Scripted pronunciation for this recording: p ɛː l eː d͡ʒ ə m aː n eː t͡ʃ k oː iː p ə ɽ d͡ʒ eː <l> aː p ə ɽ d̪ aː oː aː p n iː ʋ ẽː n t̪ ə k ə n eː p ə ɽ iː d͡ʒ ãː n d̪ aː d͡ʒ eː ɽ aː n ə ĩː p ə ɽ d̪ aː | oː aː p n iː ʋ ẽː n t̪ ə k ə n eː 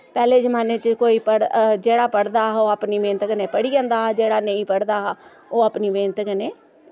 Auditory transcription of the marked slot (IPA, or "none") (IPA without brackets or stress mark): ɽ